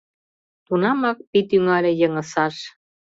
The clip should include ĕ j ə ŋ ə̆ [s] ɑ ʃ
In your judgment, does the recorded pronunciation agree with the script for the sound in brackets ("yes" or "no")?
yes